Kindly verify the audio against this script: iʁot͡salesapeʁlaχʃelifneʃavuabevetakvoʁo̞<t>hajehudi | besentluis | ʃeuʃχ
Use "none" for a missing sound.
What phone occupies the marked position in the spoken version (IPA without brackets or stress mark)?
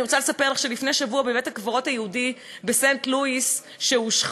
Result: t